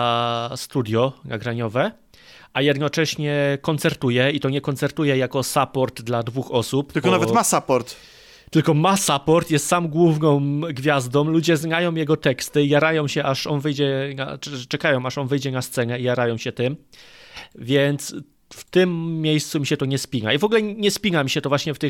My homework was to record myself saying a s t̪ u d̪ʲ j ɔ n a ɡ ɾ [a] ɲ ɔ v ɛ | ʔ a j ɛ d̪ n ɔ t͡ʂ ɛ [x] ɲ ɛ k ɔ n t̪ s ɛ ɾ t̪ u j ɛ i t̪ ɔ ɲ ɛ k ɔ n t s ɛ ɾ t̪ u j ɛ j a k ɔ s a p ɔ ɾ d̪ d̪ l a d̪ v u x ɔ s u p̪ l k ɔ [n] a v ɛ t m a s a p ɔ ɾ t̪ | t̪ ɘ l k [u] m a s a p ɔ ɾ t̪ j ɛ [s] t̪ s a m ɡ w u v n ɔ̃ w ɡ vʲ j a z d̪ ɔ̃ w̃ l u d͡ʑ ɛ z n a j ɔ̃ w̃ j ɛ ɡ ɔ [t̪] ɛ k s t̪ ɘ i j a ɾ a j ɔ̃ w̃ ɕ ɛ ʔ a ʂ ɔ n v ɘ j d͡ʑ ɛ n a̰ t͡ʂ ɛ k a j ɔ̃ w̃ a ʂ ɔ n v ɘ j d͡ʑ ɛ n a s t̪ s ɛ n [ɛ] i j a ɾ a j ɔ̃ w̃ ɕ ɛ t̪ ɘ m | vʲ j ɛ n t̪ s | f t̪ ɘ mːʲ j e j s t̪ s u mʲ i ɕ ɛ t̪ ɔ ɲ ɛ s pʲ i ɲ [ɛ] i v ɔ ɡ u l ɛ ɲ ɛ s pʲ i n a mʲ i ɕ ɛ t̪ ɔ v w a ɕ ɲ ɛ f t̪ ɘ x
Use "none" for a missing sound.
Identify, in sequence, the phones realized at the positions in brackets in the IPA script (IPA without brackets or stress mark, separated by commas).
a, ɕ, n, ɔ, s, t̪, ɛ, a